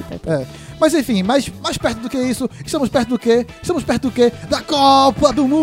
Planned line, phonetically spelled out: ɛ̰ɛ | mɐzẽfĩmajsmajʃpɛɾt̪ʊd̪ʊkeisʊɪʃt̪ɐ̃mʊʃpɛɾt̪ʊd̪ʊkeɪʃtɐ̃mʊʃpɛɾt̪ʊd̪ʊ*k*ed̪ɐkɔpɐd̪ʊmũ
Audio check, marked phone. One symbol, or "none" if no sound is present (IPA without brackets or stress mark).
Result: k